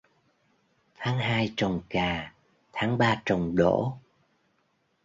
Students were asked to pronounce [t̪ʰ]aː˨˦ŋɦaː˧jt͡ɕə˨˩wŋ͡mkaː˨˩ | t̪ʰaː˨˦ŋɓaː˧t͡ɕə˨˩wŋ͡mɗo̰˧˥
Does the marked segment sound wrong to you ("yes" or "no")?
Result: no